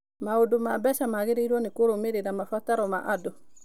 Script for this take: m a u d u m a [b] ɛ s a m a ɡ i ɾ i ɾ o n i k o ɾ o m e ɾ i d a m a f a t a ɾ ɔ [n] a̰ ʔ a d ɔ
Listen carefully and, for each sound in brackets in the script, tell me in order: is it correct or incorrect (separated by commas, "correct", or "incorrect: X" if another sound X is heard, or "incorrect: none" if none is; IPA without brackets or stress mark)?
correct, incorrect: m